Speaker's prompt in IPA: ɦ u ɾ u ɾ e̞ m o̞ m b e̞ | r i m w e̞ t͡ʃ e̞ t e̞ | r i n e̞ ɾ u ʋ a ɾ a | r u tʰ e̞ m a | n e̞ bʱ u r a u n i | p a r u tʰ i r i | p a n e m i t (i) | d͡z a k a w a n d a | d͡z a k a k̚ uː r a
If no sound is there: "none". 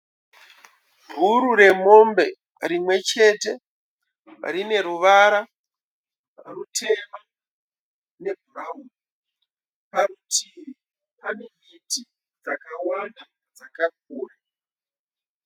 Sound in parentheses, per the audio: i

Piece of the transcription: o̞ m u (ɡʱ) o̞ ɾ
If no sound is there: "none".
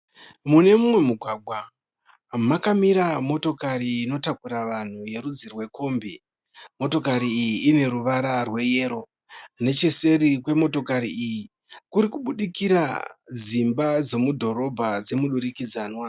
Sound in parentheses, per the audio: dʱ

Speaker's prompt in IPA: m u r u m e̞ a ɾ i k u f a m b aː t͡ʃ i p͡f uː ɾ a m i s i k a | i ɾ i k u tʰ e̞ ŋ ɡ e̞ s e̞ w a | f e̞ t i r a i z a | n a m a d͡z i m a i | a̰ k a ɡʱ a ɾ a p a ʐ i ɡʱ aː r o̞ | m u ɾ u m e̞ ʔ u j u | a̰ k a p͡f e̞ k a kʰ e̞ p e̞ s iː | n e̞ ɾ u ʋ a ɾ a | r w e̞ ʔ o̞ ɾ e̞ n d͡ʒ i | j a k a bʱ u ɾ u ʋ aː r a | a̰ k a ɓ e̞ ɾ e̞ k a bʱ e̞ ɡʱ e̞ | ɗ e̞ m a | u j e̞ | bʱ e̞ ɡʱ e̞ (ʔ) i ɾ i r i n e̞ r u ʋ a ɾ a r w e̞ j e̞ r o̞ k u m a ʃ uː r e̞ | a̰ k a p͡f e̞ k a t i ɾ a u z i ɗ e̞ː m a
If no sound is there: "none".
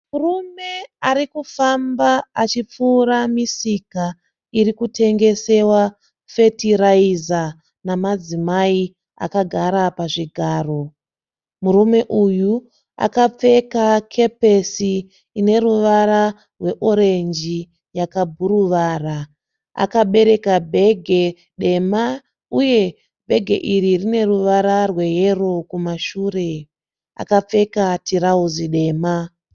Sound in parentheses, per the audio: ʔ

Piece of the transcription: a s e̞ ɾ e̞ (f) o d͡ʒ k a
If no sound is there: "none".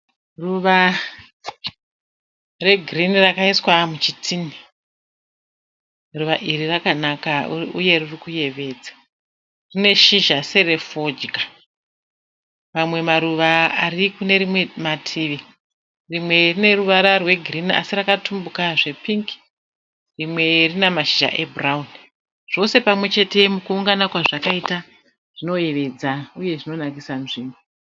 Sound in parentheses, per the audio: f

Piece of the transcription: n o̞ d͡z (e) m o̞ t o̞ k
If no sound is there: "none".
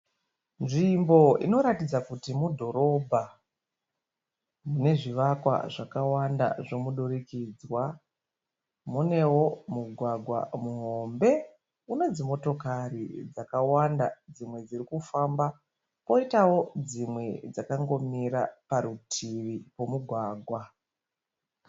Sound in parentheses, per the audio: i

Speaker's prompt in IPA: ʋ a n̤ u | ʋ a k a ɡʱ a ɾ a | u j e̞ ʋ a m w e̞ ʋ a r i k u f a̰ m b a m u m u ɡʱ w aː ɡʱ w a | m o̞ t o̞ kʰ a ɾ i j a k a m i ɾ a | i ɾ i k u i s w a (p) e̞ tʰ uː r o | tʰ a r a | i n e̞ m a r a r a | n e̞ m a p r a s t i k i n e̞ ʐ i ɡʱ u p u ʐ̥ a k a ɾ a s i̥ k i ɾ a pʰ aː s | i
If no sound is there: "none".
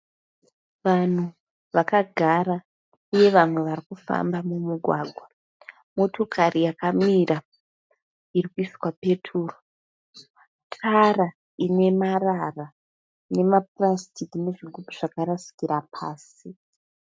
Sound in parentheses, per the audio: p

